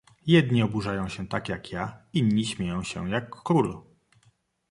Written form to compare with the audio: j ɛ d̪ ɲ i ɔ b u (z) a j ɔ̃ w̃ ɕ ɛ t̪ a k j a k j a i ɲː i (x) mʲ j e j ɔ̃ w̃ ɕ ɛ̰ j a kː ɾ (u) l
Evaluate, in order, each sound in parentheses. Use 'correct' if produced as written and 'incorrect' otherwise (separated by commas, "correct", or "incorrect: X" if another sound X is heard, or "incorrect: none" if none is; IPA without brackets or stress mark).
incorrect: ʐ, incorrect: ɕ, correct